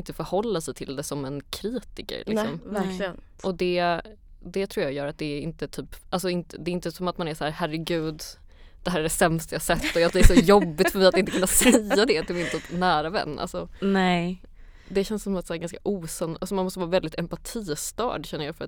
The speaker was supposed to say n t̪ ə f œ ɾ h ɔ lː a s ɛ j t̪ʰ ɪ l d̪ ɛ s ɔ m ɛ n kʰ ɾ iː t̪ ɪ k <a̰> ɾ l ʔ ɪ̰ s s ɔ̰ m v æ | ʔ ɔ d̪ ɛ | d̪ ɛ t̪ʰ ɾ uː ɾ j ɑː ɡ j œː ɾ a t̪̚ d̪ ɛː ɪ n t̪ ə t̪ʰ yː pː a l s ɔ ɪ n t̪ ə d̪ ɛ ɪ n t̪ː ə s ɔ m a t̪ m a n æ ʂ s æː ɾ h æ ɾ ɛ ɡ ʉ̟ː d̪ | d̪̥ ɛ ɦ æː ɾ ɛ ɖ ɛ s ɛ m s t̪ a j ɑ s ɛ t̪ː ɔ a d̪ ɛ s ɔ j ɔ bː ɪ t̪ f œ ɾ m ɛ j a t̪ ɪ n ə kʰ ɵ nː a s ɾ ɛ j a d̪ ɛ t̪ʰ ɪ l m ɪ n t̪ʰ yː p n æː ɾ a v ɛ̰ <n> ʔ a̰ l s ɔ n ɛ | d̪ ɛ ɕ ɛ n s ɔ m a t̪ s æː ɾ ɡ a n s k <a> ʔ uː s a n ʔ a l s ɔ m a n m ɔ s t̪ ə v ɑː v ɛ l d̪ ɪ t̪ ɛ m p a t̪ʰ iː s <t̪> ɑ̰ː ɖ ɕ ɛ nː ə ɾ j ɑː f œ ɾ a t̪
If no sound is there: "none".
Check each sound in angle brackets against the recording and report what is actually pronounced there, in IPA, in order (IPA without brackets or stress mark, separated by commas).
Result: ə̰, nː, a, t̪